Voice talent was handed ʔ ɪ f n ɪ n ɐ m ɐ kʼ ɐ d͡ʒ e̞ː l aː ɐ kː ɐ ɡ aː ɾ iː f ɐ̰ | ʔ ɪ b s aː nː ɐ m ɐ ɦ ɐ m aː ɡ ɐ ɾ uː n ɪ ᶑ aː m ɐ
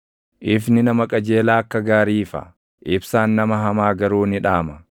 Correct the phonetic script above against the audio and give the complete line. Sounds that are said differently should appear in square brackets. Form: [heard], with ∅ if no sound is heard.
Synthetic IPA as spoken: ʔ ɪ f n ɪ n ɐ m ɐ kʼ ɐ d͡ʒ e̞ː l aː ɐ kː ɐ ɡ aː ɾ iː f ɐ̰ | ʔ ɪ b s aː nː ɐ m ɐ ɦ ɐ m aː ɡ ɐ ɾ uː n ɪ ᶑ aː m ɐ